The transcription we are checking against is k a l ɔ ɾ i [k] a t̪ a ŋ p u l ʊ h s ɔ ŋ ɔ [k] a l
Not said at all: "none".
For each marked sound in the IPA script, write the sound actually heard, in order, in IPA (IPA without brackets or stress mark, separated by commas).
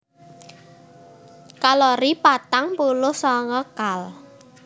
p, k